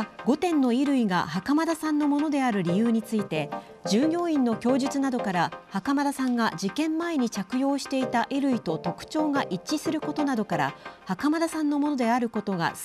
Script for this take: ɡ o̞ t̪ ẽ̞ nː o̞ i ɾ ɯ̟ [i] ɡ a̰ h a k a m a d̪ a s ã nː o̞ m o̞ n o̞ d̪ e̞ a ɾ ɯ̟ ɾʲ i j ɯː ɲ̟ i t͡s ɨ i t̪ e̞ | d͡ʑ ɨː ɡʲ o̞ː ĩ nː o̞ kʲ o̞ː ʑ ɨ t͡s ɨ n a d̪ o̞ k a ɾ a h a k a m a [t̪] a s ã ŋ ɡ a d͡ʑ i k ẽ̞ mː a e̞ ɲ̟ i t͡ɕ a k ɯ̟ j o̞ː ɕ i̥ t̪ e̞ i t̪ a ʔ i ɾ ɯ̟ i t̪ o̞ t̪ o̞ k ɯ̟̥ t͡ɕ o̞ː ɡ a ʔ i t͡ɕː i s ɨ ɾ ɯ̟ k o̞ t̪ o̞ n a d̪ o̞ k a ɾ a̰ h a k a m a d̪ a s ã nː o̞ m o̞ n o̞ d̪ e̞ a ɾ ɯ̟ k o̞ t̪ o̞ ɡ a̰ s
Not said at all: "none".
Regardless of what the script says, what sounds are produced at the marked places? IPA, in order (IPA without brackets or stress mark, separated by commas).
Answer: i, d̪